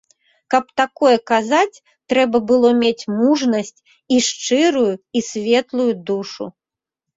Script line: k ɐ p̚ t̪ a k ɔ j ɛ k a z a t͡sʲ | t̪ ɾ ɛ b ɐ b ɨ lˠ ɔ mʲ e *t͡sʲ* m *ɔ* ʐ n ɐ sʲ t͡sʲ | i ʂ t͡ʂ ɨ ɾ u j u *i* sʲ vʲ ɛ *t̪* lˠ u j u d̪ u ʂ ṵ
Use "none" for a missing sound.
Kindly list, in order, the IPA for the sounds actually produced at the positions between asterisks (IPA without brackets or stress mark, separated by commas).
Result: t͡sʲ, u, i, t̪